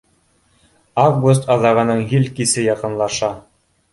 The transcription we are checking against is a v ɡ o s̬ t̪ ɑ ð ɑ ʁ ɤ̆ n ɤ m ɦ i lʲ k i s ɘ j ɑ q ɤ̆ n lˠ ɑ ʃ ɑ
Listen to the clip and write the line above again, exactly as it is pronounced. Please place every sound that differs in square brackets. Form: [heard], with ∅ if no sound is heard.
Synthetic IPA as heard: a v ɡ [u] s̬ t̪ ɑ ð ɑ ʁ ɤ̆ n ɤ [ɴ] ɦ i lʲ k i s ɘ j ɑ q ɤ̆ n lˠ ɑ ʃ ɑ